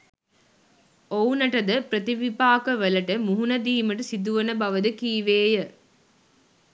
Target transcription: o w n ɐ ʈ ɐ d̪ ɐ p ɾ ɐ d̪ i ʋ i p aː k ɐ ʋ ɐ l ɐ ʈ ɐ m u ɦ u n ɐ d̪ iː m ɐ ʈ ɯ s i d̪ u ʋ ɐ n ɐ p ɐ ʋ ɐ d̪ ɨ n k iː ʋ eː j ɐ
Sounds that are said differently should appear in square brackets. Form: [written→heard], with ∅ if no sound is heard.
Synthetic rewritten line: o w n ɐ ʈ ɐ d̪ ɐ p ɾ ɐ [d̪→t̪] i ʋ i p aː k ɐ ʋ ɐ l ɐ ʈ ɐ m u ɦ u n ɐ d̪ iː m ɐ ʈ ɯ s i d̪ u ʋ ɐ n ɐ [p→b] ɐ ʋ ɐ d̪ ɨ [n→∅] k iː ʋ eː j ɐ